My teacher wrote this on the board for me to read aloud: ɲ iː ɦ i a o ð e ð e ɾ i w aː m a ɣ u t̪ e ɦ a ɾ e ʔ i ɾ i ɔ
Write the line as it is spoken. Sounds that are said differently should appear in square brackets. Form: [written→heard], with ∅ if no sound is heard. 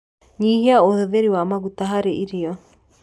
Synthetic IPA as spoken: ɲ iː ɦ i a o ð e ð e ɾ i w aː m a ɣ u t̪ [e→a] ɦ a ɾ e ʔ i ɾ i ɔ